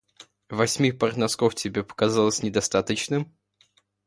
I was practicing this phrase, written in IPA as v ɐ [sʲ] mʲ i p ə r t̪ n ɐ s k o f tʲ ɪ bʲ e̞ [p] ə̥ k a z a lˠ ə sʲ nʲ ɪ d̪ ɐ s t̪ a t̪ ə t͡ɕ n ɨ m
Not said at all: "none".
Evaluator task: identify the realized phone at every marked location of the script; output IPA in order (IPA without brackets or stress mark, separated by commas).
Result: sʲ, p